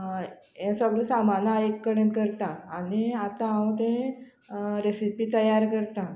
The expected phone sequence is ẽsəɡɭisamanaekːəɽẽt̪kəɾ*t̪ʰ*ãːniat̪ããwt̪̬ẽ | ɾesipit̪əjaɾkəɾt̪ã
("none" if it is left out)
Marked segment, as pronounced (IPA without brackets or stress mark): t̪